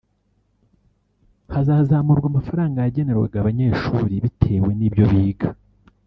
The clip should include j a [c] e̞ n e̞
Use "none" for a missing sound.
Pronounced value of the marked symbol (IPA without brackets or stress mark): ɟ